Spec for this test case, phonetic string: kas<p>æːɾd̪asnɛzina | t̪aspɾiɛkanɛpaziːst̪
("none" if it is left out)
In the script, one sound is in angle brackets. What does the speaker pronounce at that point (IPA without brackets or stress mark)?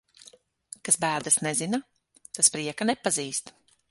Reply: b